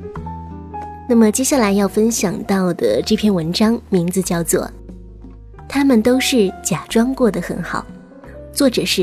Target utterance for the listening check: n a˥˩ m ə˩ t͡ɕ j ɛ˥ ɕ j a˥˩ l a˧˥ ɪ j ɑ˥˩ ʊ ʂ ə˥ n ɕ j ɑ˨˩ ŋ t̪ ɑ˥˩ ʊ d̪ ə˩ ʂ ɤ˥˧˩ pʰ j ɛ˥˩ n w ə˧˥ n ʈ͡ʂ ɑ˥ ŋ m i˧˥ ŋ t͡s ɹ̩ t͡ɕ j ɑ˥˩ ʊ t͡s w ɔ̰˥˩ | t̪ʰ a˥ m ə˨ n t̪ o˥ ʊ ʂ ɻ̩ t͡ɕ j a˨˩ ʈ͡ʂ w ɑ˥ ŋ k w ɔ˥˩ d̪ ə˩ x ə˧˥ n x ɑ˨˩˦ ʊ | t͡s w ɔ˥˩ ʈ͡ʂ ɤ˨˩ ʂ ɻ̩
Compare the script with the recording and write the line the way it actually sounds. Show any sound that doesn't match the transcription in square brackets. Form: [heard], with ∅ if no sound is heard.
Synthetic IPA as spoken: n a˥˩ m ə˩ t͡ɕ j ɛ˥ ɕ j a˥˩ l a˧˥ ɪ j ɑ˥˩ ʊ [f] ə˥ n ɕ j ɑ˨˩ ŋ t̪ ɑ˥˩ ʊ d̪ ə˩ [ʈ͡ʂ] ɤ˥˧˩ pʰ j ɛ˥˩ n w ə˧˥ n ʈ͡ʂ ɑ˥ ŋ m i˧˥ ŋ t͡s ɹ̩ t͡ɕ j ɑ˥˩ ʊ t͡s w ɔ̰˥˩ | t̪ʰ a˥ m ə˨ n t̪ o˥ ʊ ʂ ɻ̩ t͡ɕ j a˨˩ ʈ͡ʂ w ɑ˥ ŋ k w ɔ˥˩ d̪ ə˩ x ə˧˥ n x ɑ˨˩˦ ʊ | t͡s w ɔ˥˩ ʈ͡ʂ ɤ˨˩ ʂ ɻ̩